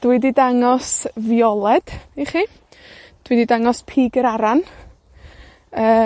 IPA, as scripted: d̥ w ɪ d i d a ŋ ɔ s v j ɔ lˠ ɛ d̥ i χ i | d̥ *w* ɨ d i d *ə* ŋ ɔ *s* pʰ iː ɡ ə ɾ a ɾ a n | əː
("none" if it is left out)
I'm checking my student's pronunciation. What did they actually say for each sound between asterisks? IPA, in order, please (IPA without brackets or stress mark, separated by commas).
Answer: w, a, s